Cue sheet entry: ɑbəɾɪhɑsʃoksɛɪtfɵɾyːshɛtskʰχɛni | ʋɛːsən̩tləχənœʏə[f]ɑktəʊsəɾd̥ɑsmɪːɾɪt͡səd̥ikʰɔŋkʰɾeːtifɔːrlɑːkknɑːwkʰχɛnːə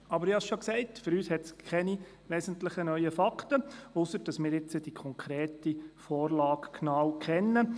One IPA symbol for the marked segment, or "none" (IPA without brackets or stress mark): f